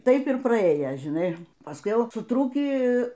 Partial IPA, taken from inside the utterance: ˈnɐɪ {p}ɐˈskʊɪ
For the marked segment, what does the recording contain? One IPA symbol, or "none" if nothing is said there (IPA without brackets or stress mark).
p